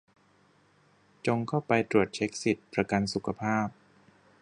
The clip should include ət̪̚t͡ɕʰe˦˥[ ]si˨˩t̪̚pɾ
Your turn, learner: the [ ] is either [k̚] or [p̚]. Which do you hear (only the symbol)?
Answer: k̚